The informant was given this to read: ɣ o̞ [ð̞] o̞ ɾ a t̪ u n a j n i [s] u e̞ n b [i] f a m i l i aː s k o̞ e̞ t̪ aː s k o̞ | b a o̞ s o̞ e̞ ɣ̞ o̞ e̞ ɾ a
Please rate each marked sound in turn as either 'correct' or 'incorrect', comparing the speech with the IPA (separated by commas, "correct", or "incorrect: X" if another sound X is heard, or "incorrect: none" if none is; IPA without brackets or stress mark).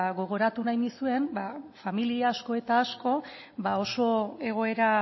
incorrect: ɣ̞, correct, incorrect: a